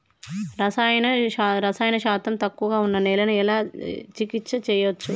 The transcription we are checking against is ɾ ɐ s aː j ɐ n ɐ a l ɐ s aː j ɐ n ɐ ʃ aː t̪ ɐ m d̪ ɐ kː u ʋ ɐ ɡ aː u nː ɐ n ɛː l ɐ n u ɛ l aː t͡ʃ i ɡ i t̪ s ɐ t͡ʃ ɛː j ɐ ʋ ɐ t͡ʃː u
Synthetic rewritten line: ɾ ɐ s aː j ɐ n ɐ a ɾ ɐ s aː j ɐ n ɐ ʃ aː t̪ ɐ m t̪ ɐ kː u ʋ ɐ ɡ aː u nː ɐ n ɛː l ɐ n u ɛ l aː t͡ʃ i k i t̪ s ɐ t͡ʃ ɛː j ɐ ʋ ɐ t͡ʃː u